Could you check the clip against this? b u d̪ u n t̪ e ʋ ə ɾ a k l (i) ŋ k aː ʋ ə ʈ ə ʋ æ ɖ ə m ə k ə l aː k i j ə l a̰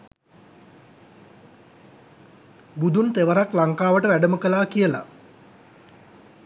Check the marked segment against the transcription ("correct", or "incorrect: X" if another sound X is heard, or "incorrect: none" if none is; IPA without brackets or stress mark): incorrect: a